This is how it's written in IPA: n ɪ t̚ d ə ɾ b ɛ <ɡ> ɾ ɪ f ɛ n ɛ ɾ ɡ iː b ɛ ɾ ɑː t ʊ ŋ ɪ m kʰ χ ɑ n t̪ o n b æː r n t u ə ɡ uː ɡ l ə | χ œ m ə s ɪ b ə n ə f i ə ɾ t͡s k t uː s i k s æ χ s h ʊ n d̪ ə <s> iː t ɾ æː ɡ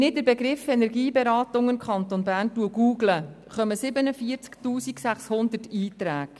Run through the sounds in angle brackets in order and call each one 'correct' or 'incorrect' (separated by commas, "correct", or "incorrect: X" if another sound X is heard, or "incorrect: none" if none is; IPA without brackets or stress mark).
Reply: correct, incorrect: t